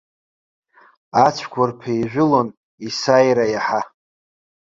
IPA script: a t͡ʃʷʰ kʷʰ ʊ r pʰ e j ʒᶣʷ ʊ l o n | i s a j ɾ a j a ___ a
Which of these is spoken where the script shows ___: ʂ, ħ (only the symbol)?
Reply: ħ